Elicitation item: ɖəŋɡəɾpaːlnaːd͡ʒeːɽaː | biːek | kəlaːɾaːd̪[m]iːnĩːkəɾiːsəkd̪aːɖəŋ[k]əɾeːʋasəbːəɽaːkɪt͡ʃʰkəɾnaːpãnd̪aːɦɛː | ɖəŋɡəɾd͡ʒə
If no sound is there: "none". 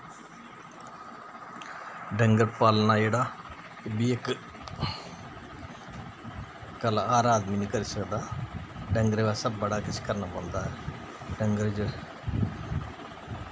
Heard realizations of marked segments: m, ɡ

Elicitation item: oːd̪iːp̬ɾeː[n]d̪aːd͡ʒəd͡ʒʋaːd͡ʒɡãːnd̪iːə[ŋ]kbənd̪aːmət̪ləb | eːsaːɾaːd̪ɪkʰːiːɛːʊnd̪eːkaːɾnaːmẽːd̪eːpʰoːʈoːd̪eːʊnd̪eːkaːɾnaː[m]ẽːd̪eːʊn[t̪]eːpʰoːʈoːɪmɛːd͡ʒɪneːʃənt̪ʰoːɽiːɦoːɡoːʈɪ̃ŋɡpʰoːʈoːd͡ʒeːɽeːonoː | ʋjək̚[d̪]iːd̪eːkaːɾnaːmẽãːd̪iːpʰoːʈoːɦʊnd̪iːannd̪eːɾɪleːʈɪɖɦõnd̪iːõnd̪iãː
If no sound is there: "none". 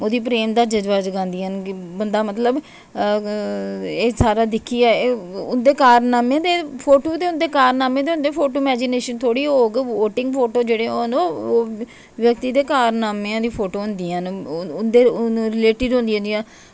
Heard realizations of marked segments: m, n, m, d̪, t̪

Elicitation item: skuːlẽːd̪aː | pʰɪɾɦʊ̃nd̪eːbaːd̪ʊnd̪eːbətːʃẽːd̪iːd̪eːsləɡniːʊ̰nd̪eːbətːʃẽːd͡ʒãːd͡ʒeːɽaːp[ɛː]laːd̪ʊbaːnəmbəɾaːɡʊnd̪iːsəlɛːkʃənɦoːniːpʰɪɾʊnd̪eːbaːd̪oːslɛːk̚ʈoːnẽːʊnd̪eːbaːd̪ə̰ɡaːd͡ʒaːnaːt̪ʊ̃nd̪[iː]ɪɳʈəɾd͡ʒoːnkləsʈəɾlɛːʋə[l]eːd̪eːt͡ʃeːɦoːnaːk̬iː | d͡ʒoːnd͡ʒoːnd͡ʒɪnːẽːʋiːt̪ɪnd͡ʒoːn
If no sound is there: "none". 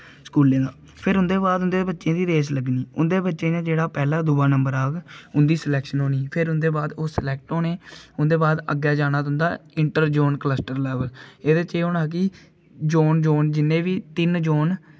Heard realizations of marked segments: ɛː, aː, l

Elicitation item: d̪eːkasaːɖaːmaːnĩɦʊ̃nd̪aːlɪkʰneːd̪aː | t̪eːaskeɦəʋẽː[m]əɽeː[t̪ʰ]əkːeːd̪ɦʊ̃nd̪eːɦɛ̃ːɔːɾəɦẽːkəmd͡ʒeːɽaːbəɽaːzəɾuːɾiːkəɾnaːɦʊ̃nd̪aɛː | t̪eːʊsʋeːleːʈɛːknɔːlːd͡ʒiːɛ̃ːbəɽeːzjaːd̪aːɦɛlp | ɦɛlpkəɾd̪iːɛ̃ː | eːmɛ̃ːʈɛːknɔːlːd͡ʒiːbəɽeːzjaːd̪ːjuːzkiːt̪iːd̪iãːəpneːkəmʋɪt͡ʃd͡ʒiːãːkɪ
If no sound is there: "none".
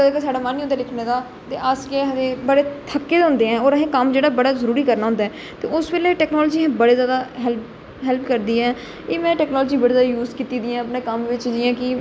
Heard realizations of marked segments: b, t̪ʰ

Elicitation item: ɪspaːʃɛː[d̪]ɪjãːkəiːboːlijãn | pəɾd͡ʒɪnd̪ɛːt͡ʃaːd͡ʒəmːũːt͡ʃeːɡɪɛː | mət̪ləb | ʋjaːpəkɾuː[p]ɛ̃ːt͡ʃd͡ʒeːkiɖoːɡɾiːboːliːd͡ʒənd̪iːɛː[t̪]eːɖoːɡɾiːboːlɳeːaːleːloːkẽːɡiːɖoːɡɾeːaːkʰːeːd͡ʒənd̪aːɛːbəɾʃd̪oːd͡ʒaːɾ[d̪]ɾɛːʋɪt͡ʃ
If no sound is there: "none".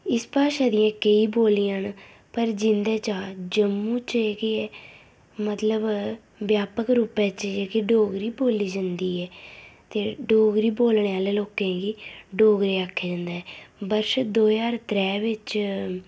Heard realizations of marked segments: d̪, p, t̪, t̪

